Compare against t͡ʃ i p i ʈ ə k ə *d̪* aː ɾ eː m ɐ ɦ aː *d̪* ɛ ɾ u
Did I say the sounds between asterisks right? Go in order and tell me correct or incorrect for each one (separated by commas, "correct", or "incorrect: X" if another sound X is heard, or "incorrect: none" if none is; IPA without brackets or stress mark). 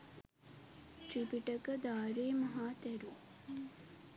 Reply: correct, incorrect: t̪